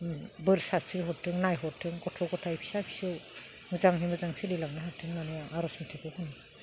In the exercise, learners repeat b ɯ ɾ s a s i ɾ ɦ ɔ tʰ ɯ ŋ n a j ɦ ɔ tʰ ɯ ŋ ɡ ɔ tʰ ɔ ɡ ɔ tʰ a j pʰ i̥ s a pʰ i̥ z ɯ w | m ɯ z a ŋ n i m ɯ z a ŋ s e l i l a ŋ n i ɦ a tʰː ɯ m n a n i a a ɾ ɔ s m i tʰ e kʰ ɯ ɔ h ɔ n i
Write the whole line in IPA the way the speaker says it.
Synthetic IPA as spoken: b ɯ ɾ s a s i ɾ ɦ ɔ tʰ ɯ ŋ n a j ɦ ɔ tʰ ɯ ŋ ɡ ɔ tʰ ɔ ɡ ɔ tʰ a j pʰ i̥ s a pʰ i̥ s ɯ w | m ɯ z a ŋ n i m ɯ z a ŋ s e l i l a ŋ n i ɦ a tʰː ɯ ŋ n a n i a a ɾ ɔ s m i tʰ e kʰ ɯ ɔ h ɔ n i